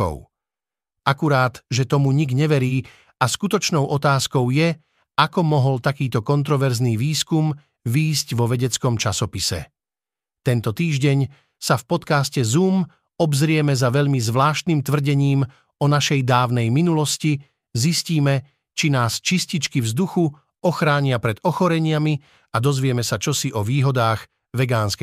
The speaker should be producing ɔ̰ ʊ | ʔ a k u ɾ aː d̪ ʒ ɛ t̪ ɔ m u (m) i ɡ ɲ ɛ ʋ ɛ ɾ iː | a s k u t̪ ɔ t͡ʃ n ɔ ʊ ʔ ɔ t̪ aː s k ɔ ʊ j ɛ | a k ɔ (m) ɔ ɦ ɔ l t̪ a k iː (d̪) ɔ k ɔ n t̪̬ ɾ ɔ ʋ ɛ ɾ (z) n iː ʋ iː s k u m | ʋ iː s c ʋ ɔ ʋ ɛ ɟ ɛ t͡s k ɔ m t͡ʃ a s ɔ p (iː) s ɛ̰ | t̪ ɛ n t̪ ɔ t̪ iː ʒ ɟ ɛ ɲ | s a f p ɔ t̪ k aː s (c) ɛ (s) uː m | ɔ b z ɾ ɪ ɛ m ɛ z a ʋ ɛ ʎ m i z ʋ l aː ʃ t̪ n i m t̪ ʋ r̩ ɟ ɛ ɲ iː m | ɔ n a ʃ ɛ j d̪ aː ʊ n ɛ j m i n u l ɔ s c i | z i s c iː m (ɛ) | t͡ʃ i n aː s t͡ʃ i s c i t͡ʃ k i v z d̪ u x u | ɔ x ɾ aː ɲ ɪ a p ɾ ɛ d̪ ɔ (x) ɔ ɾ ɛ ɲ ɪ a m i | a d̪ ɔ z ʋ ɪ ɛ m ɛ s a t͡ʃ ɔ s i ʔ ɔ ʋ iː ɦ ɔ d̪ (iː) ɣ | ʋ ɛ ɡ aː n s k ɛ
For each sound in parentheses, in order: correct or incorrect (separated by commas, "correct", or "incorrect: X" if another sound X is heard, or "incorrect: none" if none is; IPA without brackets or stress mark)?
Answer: incorrect: ɲ, correct, incorrect: t̪, correct, incorrect: i, correct, incorrect: z, correct, correct, incorrect: aː